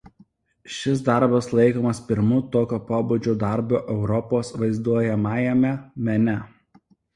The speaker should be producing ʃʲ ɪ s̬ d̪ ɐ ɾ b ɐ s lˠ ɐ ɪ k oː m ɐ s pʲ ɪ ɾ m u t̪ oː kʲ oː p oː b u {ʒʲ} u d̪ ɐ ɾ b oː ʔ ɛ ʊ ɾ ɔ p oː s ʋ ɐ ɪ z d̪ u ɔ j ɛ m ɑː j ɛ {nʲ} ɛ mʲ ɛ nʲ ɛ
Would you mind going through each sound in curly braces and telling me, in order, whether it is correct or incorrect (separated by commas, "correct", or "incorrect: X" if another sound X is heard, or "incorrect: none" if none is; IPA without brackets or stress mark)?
incorrect: d͡ʒʲ, incorrect: mʲ